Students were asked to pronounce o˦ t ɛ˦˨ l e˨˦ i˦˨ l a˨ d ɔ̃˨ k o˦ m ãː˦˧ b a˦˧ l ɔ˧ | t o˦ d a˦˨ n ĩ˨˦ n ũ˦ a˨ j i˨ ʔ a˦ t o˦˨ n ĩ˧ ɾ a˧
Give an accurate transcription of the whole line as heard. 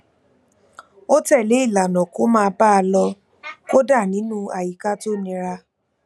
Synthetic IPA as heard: o˦ t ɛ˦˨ l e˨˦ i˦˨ l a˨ n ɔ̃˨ k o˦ m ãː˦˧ b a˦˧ l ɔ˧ | k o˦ d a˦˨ n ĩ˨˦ n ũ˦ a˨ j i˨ k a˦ t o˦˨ n ĩ˧ ɾ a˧